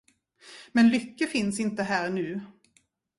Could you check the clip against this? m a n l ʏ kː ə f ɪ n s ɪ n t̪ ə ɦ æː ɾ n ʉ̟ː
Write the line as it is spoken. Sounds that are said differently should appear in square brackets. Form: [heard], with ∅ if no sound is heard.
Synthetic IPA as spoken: m [ɛ] n l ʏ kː ə f ɪ n s ɪ n t̪ ə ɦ æː ɾ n ʉ̟ː

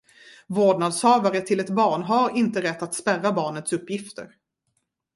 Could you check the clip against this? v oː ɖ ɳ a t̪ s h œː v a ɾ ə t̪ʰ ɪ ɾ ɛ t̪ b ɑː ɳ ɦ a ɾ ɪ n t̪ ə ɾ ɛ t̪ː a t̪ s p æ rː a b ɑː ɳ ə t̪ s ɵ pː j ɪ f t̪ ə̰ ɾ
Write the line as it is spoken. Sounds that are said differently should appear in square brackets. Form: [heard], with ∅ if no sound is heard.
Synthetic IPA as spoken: v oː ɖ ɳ a [d̪] s h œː v a ɾ ə t̪ʰ ɪ [l] ɛ t̪ b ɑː ɳ ɦ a ɾ ɪ n t̪ ə ɾ ɛ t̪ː a t̪ s p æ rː a b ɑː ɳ ə t̪ s ɵ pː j ɪ f t̪ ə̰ ɾ

